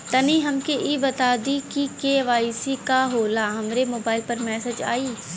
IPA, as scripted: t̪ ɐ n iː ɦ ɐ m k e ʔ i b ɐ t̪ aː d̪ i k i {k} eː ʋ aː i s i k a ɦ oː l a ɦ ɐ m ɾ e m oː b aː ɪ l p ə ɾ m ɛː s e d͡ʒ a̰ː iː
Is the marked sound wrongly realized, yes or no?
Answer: no